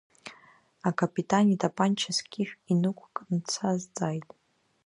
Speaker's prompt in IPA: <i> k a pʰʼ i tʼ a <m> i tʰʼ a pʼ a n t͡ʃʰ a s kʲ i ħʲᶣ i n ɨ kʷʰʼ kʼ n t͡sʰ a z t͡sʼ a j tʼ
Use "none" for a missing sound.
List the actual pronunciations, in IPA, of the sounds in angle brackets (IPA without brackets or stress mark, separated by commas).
a, n